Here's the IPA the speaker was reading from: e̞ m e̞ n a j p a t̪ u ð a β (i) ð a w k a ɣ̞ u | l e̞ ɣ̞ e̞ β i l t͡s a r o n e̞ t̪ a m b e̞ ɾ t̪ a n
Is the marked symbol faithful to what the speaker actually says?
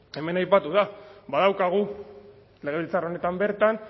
no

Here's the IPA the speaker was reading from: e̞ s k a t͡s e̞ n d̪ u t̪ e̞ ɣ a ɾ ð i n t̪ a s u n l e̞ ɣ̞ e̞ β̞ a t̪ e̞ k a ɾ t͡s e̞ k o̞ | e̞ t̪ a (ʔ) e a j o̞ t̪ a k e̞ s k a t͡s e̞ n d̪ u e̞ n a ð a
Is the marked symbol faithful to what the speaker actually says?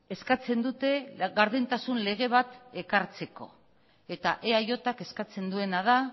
yes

